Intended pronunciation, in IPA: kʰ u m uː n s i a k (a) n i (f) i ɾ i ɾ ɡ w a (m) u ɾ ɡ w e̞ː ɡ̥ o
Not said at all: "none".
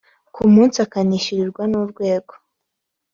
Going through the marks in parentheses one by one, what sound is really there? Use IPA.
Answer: a, ʃ, n

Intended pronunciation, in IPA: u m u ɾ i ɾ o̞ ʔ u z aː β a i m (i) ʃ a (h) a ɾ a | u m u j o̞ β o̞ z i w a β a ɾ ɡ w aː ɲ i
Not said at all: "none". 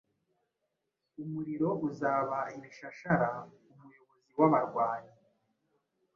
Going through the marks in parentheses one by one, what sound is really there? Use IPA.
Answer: i, ʃ

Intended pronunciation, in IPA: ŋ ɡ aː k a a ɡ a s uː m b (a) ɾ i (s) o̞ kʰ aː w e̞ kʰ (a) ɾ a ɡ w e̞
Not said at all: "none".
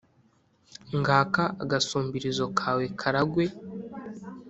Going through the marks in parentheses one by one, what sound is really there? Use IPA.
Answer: i, z, a

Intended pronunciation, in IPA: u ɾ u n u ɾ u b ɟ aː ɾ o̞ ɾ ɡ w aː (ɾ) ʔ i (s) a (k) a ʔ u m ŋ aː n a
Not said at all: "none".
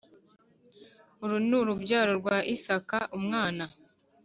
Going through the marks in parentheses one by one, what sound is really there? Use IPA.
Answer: none, s, k

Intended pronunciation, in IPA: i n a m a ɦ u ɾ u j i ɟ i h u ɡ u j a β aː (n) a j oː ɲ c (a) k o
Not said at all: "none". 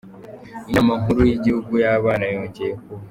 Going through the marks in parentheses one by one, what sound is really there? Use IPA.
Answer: n, e

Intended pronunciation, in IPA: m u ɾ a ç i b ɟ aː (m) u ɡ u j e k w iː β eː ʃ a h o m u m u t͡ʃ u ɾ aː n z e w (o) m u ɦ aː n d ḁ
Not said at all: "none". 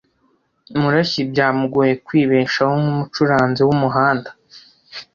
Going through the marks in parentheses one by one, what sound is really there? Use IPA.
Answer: m, u

